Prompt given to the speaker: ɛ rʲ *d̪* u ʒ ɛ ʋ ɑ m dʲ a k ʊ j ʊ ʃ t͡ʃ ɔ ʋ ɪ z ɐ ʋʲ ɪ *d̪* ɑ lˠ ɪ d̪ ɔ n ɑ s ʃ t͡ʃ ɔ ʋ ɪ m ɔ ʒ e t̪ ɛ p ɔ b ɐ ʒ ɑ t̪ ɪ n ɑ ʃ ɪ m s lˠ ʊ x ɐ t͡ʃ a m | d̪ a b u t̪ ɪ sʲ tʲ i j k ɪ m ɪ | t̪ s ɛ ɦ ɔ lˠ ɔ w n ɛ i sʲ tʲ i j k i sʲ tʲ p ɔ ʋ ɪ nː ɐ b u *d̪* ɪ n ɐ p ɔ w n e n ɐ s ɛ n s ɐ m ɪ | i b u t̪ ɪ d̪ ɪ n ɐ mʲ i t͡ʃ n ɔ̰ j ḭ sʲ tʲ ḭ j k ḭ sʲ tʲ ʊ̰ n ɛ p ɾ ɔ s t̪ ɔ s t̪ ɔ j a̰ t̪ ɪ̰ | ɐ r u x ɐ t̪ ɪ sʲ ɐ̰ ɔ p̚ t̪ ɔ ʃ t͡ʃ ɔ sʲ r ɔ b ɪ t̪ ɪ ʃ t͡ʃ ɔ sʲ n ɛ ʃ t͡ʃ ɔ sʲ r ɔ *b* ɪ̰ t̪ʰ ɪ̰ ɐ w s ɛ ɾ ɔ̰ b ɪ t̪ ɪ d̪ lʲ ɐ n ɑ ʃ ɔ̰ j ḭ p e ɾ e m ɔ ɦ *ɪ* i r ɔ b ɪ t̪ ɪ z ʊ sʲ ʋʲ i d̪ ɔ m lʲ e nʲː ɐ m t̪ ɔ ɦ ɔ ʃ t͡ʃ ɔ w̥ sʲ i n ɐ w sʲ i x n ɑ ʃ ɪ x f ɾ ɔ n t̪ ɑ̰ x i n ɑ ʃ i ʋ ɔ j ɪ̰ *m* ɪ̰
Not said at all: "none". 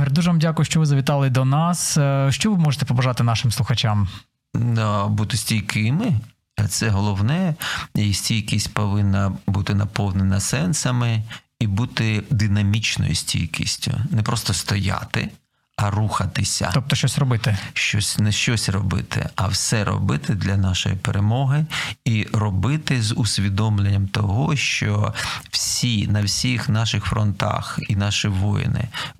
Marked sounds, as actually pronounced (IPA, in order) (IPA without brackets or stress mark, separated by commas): d̪, t̪, t̪, b, ɪ, n